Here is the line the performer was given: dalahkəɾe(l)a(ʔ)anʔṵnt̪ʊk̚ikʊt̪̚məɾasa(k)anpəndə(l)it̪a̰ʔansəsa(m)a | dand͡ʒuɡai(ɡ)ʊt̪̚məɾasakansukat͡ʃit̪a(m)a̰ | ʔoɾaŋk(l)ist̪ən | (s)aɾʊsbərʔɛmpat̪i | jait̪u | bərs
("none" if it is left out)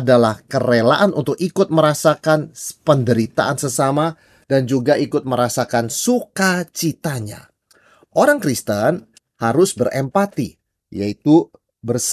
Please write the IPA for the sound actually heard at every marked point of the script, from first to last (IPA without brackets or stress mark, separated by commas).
l, ʔ, k, ɾ, m, k, ɲ, ɾ, h